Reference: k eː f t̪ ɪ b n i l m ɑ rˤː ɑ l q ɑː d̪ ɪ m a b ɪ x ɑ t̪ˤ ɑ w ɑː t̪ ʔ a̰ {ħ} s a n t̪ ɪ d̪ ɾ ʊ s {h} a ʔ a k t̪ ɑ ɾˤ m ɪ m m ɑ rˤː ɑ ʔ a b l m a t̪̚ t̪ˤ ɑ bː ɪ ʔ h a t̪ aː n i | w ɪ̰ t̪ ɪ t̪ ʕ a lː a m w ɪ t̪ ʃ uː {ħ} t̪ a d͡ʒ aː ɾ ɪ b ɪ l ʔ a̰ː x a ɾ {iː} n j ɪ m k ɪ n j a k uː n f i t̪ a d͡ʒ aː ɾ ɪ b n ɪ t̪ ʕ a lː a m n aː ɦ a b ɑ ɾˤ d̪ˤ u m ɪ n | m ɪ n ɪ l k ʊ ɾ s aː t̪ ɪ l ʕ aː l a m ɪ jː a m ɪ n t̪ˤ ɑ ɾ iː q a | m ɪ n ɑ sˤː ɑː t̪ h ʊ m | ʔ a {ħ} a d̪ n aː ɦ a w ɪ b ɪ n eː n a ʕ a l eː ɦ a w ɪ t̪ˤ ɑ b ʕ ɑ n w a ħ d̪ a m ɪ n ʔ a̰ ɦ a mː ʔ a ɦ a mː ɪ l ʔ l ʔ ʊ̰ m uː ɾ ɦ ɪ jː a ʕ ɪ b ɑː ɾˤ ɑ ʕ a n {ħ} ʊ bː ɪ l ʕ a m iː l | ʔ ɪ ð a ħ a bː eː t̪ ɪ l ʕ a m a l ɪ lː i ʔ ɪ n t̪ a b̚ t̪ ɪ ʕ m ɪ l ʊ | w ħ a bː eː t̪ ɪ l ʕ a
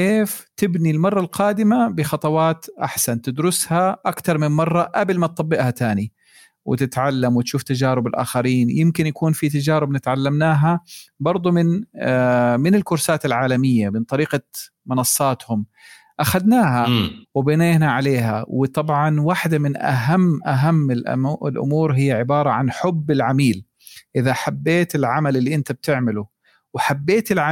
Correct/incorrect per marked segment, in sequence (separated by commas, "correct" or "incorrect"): correct, correct, incorrect, correct, incorrect, correct